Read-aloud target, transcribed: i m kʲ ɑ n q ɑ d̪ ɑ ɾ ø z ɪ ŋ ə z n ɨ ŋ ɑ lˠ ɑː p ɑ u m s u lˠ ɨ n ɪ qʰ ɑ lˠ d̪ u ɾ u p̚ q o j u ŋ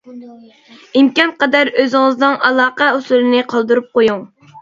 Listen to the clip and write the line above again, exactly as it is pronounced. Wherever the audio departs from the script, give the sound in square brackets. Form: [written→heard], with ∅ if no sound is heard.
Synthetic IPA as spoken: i m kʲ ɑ n q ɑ d̪ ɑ ɾ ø z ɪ ŋ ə z n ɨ ŋ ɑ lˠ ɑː [p→q] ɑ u [m→∅] s u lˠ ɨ n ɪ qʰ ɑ lˠ d̪ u ɾ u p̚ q o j u ŋ